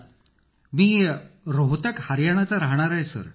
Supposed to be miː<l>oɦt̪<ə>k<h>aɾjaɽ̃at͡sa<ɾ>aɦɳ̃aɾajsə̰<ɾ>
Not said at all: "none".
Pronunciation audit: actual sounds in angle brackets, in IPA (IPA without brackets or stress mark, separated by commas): ɾ, ə, h, ɾ, ɾ